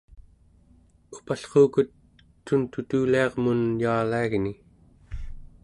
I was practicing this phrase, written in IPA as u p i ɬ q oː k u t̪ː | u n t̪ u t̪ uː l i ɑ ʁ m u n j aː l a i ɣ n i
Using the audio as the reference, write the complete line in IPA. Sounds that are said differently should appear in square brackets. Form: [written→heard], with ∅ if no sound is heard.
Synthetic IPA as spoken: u p [i→a] ɬ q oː k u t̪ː | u n t̪ u t̪ uː l i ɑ ʁ m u n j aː l a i ɣ n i